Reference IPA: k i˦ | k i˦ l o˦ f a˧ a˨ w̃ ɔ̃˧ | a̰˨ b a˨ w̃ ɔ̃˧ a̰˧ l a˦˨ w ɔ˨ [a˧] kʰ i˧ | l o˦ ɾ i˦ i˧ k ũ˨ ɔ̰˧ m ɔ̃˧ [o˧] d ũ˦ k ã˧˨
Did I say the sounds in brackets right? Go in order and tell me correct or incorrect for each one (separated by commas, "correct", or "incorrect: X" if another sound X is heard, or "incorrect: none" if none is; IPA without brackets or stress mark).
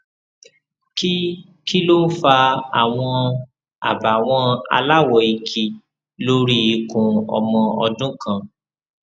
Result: incorrect: i˧, incorrect: ɔ˧